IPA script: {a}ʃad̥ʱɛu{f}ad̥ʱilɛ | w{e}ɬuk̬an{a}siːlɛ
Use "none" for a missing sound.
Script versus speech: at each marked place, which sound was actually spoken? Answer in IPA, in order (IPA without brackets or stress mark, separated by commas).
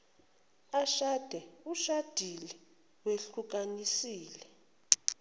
a, ʃ, e, i